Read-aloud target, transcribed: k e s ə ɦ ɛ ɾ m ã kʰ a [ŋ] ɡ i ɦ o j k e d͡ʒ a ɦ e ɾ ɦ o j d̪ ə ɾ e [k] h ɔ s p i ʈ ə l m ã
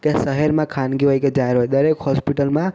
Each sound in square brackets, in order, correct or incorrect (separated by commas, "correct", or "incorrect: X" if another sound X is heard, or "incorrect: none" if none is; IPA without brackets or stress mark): incorrect: n, correct